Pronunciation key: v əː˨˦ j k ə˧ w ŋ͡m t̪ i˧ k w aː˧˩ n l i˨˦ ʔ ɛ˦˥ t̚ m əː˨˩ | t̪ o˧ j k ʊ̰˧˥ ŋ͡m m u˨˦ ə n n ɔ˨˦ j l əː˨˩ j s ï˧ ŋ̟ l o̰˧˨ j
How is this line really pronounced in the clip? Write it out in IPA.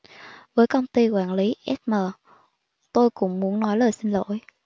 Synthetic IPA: v əː˨˦ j k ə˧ w ŋ͡m t̪ i˧ k w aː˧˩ n l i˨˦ ʔ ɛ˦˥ t̚ m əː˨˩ | t̪ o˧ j k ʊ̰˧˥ ŋ͡m m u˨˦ ə n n ɔ˨˦ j l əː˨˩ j s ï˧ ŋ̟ l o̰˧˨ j